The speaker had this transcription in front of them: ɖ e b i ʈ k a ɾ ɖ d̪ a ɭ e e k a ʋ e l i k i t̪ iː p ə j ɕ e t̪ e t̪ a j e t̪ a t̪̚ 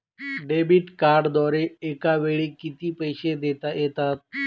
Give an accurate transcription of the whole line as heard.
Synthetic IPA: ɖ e b i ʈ k a ɾ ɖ d̪ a ɾ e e k a ʋ e ɭ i k i t̪ iː p ə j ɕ e d̪ e t̪ a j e t̪ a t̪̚